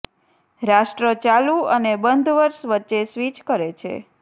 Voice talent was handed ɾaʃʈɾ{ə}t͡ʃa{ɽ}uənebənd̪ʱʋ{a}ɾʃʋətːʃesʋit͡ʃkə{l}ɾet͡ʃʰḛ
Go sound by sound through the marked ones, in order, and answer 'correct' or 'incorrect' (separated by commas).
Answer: correct, incorrect, incorrect, incorrect